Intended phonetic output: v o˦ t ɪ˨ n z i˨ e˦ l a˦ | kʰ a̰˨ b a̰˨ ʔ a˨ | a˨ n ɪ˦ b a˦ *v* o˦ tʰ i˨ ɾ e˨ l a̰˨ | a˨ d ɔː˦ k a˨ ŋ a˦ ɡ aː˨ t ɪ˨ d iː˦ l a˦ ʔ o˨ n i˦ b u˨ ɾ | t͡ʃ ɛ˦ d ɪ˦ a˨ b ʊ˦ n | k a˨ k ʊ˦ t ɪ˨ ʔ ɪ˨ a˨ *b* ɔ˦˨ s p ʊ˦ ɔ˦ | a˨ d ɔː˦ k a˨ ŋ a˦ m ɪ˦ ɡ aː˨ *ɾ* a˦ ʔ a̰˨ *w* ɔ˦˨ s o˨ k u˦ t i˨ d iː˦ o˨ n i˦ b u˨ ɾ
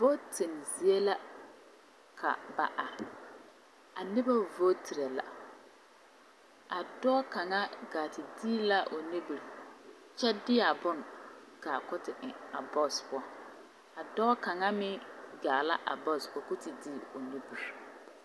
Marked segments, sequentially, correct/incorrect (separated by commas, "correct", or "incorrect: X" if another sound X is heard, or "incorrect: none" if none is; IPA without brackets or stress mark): correct, correct, incorrect: l, incorrect: b